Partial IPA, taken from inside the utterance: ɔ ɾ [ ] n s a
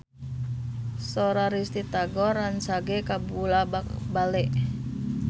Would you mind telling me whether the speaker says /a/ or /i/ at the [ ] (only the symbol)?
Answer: a